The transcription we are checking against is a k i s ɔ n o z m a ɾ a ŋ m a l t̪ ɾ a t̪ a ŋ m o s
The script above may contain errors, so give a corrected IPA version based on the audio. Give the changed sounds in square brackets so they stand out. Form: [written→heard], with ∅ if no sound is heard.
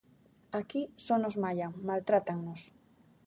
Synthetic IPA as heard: a k i s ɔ n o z m a [ɾ→ʎ] a ŋ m a l t̪ ɾ a t̪ a ŋ [m→n] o s